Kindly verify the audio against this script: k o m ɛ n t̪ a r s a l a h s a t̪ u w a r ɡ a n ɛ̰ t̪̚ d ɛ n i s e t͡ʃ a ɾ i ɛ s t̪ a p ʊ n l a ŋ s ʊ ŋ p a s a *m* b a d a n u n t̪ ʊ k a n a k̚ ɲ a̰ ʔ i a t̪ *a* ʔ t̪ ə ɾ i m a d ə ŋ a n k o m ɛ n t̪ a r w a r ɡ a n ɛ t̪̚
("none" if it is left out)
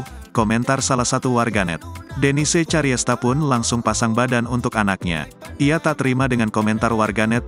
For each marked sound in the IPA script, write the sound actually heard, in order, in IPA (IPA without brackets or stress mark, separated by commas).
ŋ, a